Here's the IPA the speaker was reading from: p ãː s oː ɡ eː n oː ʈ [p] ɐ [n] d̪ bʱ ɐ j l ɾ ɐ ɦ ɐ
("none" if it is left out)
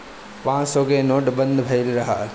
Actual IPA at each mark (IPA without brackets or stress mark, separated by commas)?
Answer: b, n